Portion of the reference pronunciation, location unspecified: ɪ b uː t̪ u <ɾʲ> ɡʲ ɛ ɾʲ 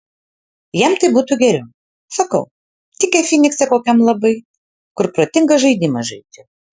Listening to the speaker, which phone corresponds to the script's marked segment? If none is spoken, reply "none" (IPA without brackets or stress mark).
none